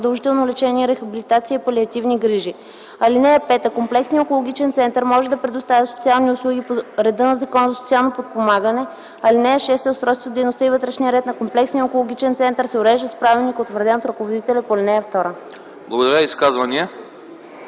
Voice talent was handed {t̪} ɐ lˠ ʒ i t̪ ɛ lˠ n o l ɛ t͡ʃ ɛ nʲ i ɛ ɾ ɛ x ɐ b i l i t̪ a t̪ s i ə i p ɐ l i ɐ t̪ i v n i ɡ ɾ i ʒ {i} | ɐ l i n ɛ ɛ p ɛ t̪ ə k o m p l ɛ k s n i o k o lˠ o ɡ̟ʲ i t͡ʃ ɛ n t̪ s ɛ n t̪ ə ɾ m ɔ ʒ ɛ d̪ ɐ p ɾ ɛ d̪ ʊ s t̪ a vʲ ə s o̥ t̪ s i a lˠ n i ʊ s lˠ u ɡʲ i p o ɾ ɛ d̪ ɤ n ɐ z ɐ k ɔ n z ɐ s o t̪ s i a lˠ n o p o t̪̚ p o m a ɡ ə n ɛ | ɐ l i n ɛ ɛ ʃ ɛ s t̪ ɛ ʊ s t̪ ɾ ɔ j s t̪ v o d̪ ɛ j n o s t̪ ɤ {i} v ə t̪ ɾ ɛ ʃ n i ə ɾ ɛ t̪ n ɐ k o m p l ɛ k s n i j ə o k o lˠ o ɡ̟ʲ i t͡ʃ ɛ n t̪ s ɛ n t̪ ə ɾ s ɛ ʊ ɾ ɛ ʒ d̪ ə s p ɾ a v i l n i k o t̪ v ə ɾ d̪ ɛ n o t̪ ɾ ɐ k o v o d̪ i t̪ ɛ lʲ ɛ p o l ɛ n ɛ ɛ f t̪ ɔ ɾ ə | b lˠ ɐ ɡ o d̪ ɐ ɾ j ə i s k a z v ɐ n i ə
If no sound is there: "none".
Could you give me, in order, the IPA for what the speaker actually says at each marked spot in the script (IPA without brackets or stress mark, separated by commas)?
d̪, i, i